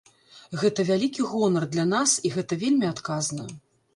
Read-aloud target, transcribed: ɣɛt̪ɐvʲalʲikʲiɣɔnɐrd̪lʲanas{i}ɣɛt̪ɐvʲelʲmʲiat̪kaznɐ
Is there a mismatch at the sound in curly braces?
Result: no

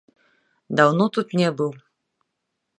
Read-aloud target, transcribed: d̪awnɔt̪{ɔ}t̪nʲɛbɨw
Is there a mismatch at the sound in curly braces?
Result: yes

